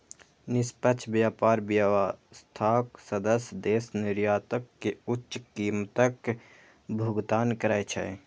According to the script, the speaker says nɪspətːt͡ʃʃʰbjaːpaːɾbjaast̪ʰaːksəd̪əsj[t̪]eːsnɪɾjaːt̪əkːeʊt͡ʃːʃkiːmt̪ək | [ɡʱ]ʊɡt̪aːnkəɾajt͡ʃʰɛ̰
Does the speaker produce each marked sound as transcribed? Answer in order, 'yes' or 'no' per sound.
no, no

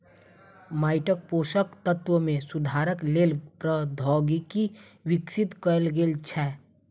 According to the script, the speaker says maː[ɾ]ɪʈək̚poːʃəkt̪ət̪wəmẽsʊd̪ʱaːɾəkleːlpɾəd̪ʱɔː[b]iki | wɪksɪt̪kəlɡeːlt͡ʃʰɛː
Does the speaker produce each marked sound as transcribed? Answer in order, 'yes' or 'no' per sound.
no, no

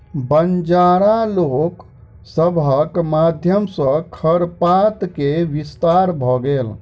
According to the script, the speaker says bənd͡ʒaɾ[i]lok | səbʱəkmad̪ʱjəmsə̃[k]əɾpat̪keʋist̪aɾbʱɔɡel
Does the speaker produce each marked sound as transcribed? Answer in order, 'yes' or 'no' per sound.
no, no

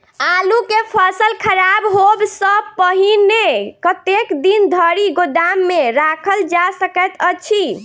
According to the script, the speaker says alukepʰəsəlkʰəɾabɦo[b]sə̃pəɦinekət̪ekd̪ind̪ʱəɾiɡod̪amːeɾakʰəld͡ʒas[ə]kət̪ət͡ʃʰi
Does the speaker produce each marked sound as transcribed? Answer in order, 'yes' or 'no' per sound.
yes, yes

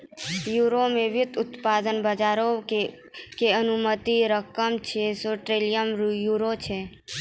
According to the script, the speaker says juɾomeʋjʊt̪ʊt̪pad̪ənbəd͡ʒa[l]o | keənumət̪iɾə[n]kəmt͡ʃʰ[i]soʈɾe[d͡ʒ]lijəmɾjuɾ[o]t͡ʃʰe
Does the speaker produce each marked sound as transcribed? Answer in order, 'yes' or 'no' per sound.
no, no, no, no, yes

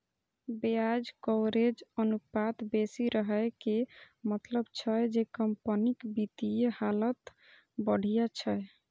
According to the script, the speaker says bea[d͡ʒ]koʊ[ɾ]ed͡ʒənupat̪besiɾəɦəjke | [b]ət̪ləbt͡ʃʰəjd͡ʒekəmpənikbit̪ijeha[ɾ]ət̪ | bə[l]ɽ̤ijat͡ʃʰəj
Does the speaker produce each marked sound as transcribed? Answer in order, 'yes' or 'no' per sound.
yes, yes, no, no, no

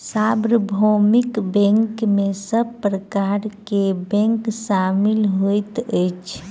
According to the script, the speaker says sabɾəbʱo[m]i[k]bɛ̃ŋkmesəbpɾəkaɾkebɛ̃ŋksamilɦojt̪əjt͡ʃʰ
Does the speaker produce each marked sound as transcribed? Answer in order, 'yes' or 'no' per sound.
yes, yes

